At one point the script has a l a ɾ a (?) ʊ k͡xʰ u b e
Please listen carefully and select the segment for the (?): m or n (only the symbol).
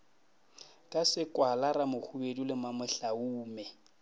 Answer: m